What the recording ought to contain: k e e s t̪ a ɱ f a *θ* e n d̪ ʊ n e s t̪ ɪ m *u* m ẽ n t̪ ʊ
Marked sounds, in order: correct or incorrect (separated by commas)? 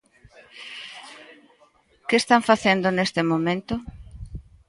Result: correct, incorrect